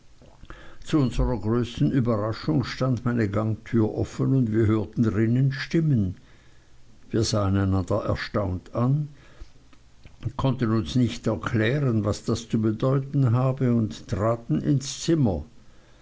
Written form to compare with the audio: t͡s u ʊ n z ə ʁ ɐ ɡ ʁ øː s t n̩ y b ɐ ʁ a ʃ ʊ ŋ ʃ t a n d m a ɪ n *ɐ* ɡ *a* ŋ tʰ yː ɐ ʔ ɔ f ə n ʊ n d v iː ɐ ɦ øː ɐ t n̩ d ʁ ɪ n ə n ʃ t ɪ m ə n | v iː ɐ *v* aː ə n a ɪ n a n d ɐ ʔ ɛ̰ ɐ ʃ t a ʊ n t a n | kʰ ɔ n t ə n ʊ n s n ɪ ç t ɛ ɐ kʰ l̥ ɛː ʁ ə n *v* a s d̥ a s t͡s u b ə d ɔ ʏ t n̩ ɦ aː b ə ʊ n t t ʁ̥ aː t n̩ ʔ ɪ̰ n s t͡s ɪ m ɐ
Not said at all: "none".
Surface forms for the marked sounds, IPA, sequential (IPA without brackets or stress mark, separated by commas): ə, a, z, v